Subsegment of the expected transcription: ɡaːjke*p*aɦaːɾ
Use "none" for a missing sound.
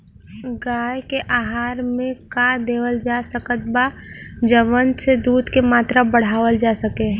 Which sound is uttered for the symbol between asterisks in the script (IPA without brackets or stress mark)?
ʔ